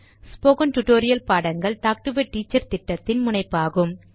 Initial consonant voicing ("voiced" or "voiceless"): voiceless